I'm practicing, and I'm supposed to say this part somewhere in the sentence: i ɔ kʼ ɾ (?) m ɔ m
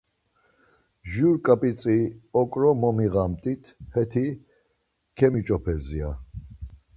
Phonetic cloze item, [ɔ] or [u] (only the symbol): ɔ